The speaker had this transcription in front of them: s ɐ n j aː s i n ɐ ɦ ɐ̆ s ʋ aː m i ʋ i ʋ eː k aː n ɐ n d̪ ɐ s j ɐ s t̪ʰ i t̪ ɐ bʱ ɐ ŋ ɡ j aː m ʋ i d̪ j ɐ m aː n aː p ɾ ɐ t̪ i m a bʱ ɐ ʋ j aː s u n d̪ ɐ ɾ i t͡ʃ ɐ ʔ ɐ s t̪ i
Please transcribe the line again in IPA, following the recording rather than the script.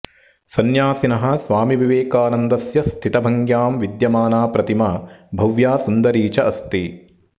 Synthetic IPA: s ɐ n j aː s i n ɐ ɦ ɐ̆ s ʋ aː m i ʋ i ʋ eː k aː n ɐ n d̪ ɐ s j ɐ s t̪ʰ i t̪ ɐ bʱ ɐ ŋ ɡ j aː m ʋ i d̪ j ɐ m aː n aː p ɾ ɐ t̪ i m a bʱ ɐ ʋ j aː s u n d̪ ɐ ɾ iː t͡ʃ ɐ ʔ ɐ s t̪ i